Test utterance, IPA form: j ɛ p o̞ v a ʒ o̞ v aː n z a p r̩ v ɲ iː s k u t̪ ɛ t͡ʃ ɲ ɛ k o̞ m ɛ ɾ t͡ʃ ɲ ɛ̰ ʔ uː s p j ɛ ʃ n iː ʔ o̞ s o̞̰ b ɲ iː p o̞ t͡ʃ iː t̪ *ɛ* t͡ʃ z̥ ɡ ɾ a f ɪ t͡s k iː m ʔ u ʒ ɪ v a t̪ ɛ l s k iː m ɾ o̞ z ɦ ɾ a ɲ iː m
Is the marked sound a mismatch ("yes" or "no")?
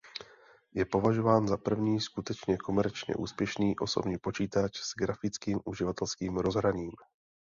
yes